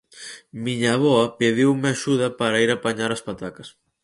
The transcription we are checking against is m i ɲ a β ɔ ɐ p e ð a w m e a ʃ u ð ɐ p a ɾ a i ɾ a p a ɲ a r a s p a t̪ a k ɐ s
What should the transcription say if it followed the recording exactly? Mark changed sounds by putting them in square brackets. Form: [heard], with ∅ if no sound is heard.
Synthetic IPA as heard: m i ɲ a β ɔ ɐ p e ð [i] w m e a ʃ u ð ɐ p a ɾ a i ɾ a p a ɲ a [ɾ] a s p a t̪ a k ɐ s